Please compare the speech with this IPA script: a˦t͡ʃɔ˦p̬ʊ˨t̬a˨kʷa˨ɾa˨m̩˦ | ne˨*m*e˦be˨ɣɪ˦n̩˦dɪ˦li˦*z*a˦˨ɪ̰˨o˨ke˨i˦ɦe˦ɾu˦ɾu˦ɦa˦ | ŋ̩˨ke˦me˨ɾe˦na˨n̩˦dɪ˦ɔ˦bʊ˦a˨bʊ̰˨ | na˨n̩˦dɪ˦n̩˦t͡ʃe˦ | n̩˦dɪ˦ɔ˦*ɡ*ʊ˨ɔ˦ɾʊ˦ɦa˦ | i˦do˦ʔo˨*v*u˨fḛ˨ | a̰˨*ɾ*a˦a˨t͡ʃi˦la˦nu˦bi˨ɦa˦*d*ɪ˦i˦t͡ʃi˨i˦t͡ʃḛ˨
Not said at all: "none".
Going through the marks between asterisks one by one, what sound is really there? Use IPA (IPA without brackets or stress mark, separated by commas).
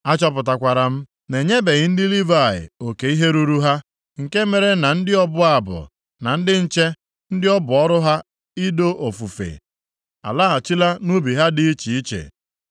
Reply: ɲ, v, b, f, l, d